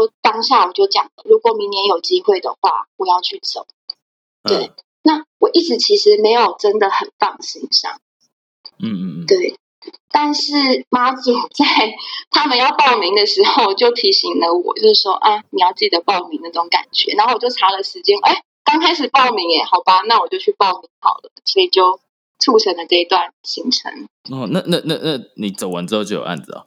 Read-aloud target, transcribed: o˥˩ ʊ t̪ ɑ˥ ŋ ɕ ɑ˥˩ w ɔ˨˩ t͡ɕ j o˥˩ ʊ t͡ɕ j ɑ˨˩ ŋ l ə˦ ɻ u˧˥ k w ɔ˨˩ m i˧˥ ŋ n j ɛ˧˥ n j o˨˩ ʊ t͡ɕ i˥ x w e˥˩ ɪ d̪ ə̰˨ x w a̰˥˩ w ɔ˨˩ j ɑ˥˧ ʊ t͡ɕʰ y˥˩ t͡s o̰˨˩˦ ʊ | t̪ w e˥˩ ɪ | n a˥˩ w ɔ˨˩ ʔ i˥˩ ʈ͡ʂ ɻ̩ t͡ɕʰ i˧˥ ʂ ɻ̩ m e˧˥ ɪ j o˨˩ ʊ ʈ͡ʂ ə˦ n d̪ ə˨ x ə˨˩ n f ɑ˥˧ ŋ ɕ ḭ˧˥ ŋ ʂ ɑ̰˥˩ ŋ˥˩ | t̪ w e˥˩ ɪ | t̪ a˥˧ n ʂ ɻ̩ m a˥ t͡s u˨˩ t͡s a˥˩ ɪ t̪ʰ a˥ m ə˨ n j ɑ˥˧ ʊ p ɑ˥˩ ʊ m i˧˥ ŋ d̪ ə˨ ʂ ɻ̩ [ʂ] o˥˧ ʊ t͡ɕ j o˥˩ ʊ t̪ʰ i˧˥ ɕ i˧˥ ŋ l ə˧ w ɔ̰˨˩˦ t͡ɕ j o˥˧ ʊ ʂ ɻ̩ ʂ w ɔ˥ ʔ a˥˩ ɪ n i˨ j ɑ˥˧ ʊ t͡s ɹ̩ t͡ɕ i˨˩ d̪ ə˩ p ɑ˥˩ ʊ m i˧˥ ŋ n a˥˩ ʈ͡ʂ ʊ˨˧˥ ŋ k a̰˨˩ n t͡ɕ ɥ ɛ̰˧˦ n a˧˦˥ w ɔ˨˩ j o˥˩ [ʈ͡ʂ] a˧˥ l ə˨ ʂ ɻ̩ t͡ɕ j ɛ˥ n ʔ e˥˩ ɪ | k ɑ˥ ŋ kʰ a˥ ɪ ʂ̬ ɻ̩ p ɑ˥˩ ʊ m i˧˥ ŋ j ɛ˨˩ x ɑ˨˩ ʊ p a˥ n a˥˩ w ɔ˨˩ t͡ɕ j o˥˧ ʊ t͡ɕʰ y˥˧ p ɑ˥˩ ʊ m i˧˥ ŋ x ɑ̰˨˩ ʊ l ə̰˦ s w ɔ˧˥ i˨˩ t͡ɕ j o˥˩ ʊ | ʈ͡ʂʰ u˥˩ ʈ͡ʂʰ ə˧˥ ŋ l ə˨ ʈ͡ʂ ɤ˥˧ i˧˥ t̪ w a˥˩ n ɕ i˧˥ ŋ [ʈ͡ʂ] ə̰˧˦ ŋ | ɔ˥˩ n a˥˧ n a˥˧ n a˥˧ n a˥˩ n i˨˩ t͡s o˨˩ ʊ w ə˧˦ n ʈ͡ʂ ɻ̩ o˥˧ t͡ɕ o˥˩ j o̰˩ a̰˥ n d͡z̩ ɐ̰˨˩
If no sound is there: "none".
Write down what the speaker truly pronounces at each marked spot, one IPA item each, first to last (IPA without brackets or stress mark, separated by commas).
x, ʈ͡ʂʰ, ʈ͡ʂʰ